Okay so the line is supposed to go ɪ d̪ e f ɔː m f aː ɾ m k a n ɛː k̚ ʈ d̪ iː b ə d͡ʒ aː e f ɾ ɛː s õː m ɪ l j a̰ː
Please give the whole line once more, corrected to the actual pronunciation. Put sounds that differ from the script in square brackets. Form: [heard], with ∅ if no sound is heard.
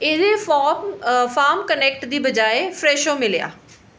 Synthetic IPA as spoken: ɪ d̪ e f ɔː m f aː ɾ m k [ə] n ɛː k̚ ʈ d̪ iː b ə d͡ʒ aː e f ɾ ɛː [ʃ] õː m ɪ l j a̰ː